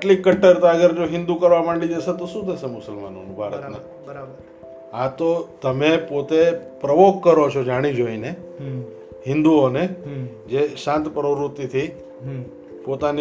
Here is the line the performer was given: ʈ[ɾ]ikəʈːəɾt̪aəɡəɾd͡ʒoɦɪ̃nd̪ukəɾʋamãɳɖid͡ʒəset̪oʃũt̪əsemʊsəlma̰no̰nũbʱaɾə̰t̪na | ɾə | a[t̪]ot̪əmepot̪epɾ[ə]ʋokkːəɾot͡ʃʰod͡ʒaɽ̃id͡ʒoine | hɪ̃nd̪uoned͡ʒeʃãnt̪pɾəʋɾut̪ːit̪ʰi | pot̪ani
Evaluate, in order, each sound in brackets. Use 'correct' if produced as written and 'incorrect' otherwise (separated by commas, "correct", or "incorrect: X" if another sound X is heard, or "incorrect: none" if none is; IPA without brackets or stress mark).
incorrect: l, correct, correct